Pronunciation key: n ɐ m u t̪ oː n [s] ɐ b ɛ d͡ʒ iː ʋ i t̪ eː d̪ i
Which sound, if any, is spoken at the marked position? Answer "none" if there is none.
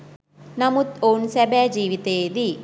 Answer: s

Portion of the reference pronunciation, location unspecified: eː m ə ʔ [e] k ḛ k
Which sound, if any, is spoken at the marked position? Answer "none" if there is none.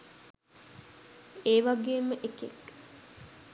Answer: e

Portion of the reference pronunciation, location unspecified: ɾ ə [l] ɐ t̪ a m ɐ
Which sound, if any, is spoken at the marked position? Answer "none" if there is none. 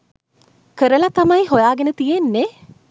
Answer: l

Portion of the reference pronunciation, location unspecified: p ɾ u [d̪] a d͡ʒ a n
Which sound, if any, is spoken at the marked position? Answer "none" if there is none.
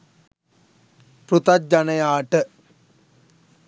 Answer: t̪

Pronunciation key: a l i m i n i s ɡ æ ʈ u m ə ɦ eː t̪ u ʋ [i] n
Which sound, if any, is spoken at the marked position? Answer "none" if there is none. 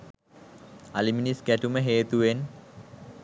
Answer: e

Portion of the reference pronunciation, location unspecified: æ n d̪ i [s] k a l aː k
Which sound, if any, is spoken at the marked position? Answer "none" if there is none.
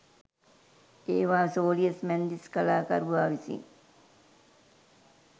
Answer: s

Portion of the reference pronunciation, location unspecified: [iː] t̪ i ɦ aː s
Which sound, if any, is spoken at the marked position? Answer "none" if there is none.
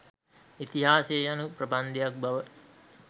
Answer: i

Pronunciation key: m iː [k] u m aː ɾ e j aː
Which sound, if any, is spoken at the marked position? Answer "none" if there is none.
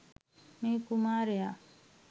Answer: k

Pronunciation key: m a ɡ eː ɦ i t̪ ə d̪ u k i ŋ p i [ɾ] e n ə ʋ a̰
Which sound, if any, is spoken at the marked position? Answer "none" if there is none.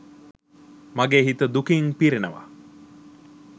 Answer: ɾ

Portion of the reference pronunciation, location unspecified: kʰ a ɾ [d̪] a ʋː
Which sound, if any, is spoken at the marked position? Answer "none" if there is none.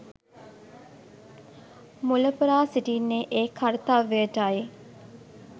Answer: t̪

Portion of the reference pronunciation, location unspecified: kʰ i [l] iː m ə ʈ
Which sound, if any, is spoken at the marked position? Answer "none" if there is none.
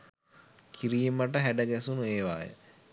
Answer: ɾ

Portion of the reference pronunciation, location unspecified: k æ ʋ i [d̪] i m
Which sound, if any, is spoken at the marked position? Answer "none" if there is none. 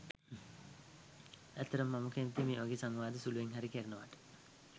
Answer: t̪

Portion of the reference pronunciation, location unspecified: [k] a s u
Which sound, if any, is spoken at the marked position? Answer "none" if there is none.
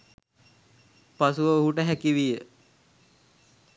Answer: p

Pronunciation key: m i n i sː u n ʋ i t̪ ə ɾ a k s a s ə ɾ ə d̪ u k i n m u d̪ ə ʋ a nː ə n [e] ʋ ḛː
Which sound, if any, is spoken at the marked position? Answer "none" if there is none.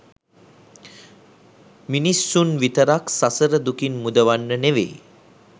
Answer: e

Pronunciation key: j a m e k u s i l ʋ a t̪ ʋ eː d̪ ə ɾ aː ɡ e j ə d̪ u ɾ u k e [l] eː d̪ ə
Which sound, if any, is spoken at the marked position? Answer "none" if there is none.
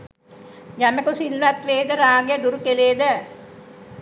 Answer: l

